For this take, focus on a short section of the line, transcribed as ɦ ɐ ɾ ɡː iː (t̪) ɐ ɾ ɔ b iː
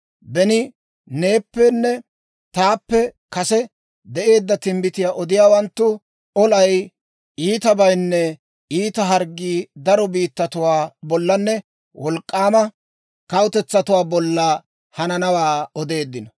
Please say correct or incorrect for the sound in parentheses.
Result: incorrect